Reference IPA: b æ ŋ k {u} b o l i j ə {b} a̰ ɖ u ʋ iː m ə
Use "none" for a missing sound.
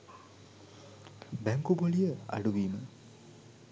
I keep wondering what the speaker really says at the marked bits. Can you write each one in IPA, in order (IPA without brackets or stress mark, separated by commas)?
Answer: u, none